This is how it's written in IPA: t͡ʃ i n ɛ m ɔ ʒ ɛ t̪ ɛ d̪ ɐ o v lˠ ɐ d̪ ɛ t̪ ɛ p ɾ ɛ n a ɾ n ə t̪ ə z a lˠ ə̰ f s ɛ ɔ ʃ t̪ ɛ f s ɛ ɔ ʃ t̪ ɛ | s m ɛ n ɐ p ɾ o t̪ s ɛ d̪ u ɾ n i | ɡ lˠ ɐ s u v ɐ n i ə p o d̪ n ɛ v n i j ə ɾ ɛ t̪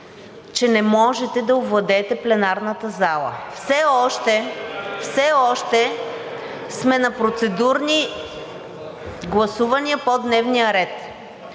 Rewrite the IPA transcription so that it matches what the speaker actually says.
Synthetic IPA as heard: t͡ʃ ɛ n ɛ m ɔ ʒ ɛ t̪ ɛ d̪ ɐ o v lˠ ɐ d̪ ɛ t̪ ɛ p l ɛ n a ɾ n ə t̪ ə z a lˠ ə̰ f s ɛ ɔ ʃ t̪ ɛ f s ɛ ɔ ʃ t̪ ɛ | s m ɛ n ɐ p ɾ o t̪ s ɛ d̪ u ɾ n i | ɡ lˠ ɐ s u v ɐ n i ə p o d̪ n ɛ v n i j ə ɾ ɛ t̪